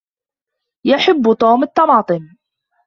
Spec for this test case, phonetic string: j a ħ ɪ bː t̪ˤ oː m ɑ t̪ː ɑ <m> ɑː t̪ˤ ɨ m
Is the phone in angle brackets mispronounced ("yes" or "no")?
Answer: no